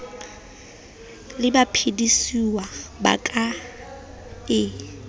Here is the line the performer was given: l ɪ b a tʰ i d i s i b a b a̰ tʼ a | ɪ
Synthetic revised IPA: l ɪ b a pʰ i d i s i w a b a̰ kʼ a | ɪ